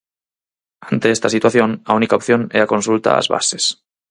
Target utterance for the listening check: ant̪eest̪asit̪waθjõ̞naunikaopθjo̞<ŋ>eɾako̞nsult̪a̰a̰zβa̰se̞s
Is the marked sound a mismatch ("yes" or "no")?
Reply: yes